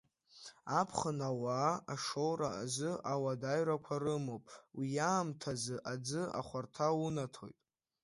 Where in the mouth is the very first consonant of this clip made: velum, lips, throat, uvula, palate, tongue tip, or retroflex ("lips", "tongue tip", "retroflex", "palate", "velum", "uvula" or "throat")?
lips